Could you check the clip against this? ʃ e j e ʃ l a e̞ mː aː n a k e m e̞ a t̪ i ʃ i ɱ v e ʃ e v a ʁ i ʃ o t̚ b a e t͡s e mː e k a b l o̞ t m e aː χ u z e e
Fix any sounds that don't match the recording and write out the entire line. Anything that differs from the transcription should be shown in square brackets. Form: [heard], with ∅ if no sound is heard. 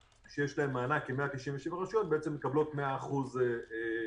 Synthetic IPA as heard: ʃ e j e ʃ l a e̞ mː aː n a k e m e̞ a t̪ i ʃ i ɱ v e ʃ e v a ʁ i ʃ o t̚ b [e] e t͡s e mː e k a b l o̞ t m e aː χ u z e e

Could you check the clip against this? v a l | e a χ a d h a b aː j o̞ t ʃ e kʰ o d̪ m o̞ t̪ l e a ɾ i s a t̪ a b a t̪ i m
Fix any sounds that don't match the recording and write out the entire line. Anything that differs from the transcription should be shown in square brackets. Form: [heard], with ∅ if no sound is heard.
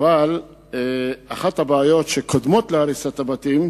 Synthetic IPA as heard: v a l | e a χ a [t] h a b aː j o̞ t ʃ e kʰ o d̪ m o̞ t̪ l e a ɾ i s a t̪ a b a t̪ i m

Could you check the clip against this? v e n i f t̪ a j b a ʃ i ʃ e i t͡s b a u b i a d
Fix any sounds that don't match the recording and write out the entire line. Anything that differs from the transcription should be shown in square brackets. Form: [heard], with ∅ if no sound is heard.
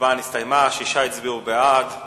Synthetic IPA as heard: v [a] n i [s] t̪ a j [m] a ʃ i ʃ [a] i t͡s b [i] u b [e] a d

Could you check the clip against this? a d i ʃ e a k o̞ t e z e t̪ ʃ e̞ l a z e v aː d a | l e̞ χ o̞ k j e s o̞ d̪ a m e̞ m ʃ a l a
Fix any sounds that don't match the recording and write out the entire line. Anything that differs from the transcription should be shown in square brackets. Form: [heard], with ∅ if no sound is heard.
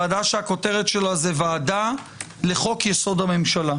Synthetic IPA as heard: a d [a] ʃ e a k o̞ t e [ʁ] e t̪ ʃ e̞ l a z e v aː d a | l e̞ χ o̞ k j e s o̞ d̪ a m e̞ m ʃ a l a

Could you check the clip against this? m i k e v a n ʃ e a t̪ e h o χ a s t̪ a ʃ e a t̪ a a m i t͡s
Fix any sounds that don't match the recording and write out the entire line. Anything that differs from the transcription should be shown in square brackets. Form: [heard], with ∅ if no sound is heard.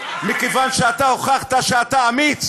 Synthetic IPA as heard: m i k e v a n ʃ e a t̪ [a] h o χ a [χ] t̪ a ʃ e a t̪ a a m i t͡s

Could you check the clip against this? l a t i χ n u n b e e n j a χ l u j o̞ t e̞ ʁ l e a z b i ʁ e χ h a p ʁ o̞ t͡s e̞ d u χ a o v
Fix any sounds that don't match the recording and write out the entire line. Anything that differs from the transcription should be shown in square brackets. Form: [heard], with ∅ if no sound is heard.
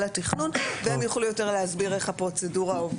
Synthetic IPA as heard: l a t i χ n u n [v] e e [m] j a χ l u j o̞ t e̞ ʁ l e a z b i ʁ e χ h a p ʁ o̞ t͡s e̞ d u [ʁ] a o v

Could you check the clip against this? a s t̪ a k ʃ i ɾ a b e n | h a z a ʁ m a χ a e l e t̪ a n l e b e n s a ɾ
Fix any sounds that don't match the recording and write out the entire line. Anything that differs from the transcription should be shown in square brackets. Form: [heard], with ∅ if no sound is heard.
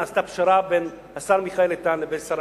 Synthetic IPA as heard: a s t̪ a [p] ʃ [a] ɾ a b e n | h a [s] a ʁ m [i] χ a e l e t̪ a n l e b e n s a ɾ

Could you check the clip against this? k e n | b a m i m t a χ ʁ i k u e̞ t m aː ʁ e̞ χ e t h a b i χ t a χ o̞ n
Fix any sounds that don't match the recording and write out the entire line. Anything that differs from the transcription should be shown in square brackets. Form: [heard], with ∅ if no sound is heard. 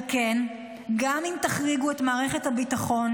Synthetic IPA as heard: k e n | [ɡ] a m i m t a χ ʁ i [ɡ] u e̞ t m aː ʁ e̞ χ e t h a b i [∅] t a χ o̞ n

